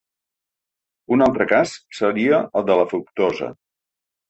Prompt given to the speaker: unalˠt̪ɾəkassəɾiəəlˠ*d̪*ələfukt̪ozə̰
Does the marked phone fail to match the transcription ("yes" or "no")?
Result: no